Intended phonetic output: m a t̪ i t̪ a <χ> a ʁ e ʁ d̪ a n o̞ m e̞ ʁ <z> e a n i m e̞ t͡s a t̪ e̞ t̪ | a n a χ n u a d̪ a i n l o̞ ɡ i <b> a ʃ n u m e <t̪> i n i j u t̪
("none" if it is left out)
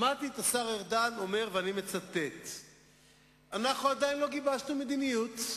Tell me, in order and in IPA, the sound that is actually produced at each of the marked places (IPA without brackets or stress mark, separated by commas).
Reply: s, v, b, d̪